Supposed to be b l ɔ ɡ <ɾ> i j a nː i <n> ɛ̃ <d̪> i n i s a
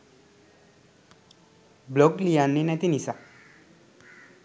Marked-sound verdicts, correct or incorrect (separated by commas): incorrect, correct, incorrect